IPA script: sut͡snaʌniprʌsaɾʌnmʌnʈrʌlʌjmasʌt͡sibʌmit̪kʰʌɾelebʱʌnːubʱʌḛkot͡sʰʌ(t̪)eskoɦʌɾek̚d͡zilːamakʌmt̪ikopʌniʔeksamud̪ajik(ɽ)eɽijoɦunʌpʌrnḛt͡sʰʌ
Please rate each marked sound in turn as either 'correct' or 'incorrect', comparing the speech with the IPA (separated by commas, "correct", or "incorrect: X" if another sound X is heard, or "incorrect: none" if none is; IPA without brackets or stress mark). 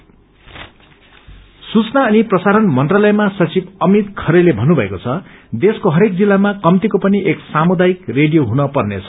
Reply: incorrect: d̪, incorrect: r